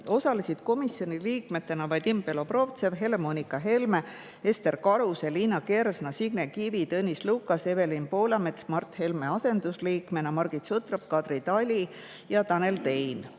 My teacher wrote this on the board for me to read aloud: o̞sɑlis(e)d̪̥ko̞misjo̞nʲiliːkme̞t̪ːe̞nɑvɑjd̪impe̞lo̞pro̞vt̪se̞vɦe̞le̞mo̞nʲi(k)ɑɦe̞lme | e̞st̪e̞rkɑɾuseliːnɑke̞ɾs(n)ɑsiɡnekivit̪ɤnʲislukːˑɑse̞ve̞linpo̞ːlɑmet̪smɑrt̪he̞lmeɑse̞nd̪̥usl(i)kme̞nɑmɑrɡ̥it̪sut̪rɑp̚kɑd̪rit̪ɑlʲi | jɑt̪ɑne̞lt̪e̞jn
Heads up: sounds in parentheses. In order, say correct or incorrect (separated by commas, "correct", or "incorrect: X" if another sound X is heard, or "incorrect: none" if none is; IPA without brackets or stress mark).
incorrect: i, correct, correct, incorrect: iː